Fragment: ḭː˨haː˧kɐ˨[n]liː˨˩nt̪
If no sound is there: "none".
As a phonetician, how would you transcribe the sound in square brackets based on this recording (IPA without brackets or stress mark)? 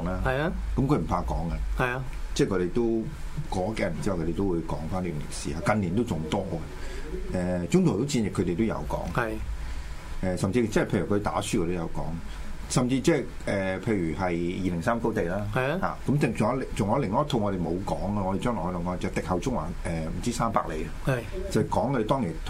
n